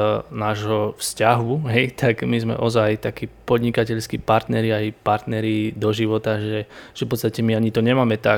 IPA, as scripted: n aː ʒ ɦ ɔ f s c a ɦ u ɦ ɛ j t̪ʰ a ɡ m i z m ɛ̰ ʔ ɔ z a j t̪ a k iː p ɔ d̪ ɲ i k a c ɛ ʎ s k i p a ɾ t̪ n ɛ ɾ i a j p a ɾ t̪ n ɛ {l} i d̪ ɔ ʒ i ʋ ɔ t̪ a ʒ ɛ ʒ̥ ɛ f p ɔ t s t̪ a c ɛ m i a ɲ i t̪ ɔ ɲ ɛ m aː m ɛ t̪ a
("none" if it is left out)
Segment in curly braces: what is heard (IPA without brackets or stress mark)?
ɾ